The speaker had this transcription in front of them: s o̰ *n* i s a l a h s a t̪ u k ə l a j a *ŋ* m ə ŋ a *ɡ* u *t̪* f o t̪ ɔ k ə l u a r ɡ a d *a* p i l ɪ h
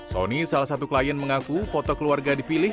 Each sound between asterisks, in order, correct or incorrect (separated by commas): correct, incorrect, incorrect, incorrect, incorrect